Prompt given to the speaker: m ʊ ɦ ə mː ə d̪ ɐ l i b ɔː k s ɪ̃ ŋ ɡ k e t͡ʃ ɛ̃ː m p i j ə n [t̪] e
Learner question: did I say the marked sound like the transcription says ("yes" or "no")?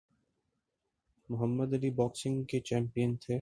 no